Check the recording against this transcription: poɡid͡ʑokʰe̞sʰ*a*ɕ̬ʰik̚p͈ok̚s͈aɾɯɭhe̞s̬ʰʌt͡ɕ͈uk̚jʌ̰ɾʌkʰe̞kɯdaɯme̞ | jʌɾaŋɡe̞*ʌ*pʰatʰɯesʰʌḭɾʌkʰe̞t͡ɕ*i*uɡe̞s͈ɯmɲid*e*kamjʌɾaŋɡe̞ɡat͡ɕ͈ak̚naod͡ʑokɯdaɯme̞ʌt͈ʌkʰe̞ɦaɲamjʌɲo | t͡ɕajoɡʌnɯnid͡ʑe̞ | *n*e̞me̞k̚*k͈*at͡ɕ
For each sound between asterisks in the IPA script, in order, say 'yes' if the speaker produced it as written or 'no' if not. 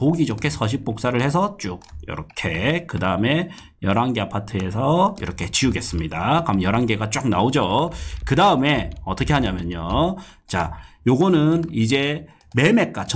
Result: no, no, yes, no, no, yes

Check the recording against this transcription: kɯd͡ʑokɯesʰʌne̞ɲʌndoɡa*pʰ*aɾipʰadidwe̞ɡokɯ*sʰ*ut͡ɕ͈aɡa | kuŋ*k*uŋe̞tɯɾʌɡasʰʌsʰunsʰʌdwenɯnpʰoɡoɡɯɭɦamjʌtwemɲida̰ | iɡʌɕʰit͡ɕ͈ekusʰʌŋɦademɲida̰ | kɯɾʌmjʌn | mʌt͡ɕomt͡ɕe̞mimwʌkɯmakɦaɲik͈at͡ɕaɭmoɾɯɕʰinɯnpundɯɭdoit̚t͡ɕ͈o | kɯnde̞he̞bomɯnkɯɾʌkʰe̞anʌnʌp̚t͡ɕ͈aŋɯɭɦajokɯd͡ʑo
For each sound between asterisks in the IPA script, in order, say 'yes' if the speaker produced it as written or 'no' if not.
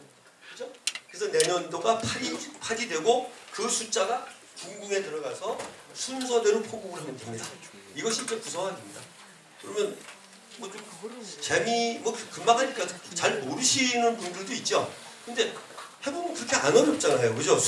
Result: yes, yes, no

